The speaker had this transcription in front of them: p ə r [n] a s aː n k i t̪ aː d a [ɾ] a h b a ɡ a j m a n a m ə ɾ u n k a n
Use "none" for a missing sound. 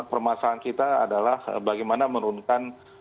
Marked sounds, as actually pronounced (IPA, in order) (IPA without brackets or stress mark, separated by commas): m, l